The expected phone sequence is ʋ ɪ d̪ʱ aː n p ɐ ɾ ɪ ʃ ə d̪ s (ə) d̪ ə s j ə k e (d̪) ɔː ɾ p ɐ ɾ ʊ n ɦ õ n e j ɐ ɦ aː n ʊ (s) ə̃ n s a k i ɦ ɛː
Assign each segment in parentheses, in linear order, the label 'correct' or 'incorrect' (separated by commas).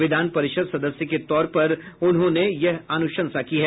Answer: incorrect, incorrect, incorrect